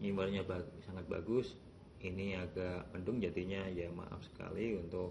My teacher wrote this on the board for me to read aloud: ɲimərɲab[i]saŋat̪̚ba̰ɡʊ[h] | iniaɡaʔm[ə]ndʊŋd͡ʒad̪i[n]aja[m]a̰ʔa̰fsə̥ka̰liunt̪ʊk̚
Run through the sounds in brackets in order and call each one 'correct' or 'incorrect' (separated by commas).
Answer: incorrect, incorrect, correct, incorrect, correct